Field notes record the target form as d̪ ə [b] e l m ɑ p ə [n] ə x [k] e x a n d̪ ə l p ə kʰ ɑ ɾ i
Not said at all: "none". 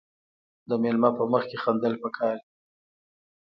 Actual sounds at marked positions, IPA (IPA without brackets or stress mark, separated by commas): m, m, k